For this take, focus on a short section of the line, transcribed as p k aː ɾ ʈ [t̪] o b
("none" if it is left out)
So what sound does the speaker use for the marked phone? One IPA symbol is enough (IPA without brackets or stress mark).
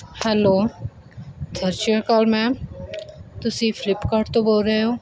t̪